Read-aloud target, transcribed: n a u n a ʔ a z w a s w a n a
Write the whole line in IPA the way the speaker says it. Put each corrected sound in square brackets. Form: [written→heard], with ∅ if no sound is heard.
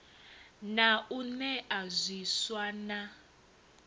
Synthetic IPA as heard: n a u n [a→ɛ] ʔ a z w [a→i] s w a n a

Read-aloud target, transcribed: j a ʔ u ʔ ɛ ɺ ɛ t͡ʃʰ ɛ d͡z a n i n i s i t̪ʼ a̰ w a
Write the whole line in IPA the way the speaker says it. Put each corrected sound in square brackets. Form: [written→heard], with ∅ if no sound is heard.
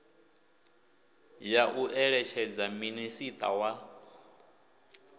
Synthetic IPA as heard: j a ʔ u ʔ ɛ ɺ ɛ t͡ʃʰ ɛ d͡z a [n→m] i n i s i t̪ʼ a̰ w a

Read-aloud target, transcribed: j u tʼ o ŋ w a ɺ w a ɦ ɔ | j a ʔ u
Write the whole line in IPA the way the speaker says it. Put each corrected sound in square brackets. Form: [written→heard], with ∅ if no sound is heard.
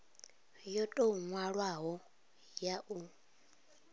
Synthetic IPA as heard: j [u→ɔ] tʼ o ŋ w a ɺ w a ɦ ɔ | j a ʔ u

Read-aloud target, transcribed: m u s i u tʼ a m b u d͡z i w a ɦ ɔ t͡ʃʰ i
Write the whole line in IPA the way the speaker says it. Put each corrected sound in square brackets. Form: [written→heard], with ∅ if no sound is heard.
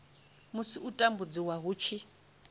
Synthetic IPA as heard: m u s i u tʼ a m b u d͡z i w a ɦ [ɔ→u] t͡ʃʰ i

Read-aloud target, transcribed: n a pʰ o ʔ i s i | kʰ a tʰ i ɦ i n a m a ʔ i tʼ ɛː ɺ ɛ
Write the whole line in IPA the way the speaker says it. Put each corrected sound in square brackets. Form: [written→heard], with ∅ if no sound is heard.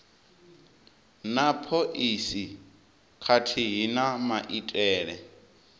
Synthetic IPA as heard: n a pʰ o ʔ i s i | kʰ a tʰ i ɦ i n a m a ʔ i tʼ ɛː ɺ ɛ

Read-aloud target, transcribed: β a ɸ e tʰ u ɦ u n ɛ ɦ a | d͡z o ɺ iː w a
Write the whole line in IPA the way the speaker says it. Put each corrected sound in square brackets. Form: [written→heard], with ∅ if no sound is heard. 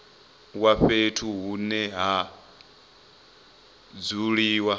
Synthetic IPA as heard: [β→w] a ɸ e tʰ u ɦ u n ɛ ɦ a | d͡z [o→u] ɺ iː w a

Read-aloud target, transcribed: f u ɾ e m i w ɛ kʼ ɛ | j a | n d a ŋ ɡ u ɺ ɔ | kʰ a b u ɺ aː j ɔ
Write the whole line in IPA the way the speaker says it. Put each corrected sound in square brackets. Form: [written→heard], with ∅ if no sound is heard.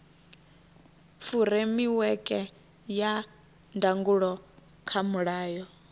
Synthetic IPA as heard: f u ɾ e m i w ɛ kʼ ɛ | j a | n d a ŋ ɡ u ɺ ɔ | kʰ a [b→m] u ɺ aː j ɔ

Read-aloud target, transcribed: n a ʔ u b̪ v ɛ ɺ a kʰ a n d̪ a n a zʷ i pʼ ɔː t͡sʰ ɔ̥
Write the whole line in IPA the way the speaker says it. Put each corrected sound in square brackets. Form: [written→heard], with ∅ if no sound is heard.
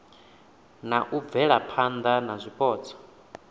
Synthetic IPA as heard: n a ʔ u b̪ v ɛ ɺ a [kʰ→pʰ] a n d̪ a n a zʷ i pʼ ɔː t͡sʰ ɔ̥

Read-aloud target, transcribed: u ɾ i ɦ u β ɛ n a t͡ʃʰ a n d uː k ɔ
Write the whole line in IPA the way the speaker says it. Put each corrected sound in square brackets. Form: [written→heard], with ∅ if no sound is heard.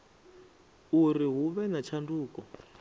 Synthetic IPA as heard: u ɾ i ɦ u β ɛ n a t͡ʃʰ a n d uː k ɔ

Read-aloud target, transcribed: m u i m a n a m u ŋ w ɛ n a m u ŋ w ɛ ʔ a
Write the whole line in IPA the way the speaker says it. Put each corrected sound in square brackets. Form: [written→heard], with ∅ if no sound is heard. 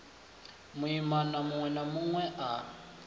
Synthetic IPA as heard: m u i m a n a m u ŋ w ɛ n a m u ŋ w ɛ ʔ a

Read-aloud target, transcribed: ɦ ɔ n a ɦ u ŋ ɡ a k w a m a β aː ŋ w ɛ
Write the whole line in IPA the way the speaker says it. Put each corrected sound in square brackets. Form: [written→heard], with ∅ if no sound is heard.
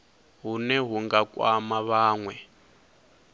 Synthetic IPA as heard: ɦ [ɔ→u] n [a→ɛ] ɦ u ŋ ɡ a k w a m a β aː ŋ w ɛ

